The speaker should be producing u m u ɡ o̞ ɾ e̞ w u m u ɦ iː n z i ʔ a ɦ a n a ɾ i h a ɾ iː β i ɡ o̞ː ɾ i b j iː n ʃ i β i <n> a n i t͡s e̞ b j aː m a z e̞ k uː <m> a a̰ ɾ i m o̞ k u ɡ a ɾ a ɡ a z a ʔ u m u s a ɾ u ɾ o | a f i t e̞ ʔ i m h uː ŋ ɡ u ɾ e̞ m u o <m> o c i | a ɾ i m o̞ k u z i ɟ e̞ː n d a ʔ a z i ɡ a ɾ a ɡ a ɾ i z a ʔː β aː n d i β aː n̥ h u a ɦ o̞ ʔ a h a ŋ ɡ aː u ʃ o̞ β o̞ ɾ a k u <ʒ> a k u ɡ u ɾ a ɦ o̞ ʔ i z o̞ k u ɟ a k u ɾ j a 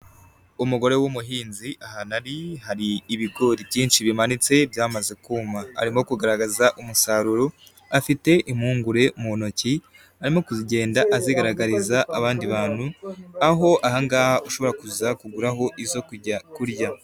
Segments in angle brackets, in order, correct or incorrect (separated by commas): incorrect, correct, incorrect, incorrect